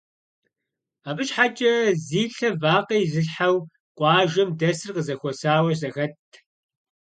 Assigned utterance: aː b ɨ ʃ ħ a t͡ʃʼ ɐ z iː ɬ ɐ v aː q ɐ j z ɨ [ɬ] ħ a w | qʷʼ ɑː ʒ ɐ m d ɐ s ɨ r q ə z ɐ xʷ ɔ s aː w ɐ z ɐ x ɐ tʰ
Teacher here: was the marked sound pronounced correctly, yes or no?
yes